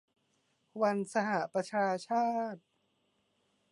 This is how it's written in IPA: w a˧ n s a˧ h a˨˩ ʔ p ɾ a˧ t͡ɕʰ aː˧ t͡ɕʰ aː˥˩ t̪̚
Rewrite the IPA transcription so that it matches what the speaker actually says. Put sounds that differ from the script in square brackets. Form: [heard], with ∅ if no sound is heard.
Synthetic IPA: w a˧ n s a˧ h a˨˩ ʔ p ɾ a˧ t͡ɕʰ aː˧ t͡ɕʰ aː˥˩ t̪̚